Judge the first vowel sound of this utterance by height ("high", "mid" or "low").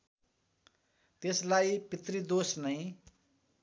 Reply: mid